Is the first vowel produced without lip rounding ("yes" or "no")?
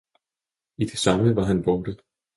yes